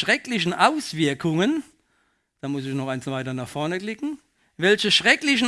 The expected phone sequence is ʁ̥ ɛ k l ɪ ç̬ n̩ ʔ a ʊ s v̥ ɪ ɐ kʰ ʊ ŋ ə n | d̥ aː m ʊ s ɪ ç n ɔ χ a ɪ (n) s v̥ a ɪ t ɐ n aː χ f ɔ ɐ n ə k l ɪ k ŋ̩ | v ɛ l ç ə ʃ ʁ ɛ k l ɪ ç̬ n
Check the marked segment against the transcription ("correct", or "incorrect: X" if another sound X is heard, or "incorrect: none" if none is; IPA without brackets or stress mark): correct